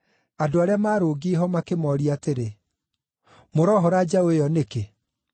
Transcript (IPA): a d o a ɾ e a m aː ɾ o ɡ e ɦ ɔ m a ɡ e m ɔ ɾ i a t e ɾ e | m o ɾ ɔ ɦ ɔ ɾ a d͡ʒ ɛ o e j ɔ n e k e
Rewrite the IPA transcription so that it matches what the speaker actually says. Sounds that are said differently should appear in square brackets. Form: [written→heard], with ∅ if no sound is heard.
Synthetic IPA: a d o a ɾ e a m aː ɾ o ɡ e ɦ ɔ m a [ɡ→k] e m ɔ ɾ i a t e ɾ e | m o ɾ ɔ ɦ ɔ ɾ a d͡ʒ [ɛ→a] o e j ɔ n e k e